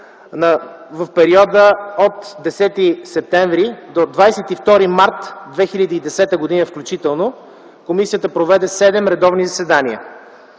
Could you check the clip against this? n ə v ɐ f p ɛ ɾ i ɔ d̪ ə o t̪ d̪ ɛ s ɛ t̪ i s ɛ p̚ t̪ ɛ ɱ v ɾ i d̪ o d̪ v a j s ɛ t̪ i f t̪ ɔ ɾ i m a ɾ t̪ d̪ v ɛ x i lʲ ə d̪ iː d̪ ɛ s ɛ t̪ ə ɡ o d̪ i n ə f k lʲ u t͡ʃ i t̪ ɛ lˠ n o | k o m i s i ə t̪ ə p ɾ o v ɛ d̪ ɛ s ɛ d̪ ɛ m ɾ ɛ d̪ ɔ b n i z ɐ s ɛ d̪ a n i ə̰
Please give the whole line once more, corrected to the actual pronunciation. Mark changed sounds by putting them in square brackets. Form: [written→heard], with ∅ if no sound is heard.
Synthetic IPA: n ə v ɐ f p ɛ ɾ i ɔ d̪ ə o t̪ d̪ ɛ s ɛ t̪ i s ɛ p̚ t̪ ɛ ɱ v ɾ i d̪ o d̪ v a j s ɛ t̪ i f t̪ ɔ ɾ i m a ɾ t̪ d̪ v ɛ x i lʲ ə d̪ iː d̪ ɛ s ɛ t̪ ə ɡ o d̪ i n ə f k lʲ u t͡ʃ i t̪ ɛ lˠ n o | k o m i s i ə t̪ ə p ɾ o v ɛ d̪ ɛ s ɛ d̪ ɛ m ɾ ɛ d̪ ɔ [b→v] n i z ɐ s ɛ d̪ a n i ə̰